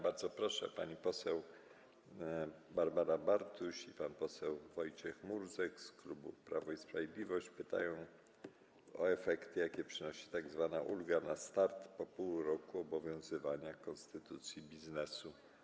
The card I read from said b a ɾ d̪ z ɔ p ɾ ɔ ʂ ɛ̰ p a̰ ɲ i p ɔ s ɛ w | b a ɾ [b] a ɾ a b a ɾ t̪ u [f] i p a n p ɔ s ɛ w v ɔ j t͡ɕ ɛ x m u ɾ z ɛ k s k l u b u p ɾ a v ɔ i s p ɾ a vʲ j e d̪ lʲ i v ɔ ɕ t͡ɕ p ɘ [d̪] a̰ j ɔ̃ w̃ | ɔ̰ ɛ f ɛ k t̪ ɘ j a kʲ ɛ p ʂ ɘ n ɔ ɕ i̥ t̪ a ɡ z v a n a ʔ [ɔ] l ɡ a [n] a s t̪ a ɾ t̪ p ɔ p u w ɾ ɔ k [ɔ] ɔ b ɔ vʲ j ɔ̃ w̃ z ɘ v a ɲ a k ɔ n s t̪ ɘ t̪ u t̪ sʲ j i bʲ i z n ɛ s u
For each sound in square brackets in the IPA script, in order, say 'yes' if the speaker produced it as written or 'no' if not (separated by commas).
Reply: yes, no, no, no, yes, no